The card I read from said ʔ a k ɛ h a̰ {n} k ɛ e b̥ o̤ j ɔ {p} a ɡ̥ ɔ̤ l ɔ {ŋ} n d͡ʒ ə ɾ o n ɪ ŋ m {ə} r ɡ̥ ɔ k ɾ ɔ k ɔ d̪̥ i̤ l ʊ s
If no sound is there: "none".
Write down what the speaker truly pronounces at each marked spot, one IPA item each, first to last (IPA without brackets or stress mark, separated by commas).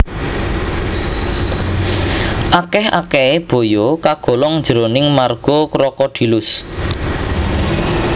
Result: none, k, ŋ, a